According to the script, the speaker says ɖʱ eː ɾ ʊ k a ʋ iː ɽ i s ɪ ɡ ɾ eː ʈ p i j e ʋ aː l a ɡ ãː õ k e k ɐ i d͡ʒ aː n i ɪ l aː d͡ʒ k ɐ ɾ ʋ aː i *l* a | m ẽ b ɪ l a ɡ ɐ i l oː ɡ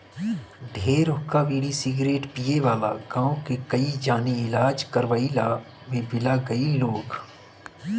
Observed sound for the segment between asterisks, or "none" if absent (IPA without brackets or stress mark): l